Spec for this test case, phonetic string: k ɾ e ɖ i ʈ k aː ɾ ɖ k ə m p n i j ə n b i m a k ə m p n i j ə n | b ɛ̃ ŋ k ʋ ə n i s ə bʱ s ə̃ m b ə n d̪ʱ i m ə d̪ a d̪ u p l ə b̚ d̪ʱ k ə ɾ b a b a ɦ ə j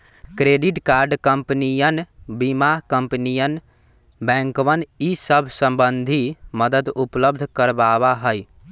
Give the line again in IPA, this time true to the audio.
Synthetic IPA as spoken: k ɾ e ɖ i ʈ k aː ɾ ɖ k ə m p n i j ə n b i m a k ə m p n i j ə n | b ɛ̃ ŋ k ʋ ə n i s ə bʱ s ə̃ m b ə n d̪ʱ i m ə d̪ ə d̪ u p l ə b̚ d̪ʱ k ə ɾ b a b a ɦ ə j